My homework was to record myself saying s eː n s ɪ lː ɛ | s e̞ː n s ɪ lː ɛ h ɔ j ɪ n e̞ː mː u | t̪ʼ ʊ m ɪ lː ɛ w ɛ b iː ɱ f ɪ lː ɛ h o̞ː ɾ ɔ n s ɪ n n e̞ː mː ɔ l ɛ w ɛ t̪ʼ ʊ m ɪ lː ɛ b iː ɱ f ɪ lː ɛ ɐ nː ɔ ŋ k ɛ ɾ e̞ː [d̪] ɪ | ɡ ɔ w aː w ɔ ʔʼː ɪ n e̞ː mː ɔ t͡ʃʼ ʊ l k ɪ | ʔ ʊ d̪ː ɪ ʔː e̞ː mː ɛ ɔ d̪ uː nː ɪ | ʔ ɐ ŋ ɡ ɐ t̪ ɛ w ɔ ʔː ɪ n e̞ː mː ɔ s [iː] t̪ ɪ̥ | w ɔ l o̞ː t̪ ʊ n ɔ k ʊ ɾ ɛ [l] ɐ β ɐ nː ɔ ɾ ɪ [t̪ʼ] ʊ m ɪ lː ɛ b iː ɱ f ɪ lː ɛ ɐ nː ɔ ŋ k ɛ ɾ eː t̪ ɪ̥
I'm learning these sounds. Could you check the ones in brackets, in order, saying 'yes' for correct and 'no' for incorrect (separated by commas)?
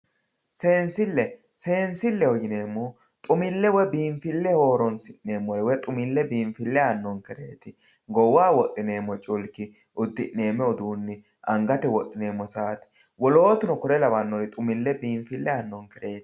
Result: no, no, yes, yes